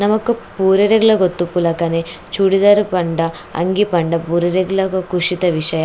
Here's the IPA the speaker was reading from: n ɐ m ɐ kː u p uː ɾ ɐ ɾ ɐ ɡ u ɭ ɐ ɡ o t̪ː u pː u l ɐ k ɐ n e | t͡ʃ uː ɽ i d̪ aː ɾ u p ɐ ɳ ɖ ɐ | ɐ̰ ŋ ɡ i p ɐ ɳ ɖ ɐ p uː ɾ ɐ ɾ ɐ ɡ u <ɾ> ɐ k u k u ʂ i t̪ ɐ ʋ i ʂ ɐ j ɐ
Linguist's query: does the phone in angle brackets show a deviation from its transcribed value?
yes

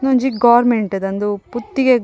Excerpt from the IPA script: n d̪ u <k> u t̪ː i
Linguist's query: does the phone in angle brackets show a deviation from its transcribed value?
yes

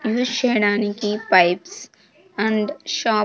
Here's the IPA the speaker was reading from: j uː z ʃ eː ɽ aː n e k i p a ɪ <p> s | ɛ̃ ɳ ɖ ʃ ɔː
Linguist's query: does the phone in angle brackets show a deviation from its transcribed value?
no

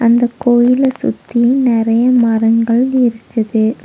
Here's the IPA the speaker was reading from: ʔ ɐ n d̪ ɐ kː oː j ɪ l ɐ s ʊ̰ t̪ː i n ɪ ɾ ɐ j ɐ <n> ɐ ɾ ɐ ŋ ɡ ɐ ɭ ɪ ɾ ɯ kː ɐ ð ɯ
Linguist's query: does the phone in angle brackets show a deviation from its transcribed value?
yes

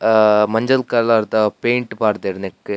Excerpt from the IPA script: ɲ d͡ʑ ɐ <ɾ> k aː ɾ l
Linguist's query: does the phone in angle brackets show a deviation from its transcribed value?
yes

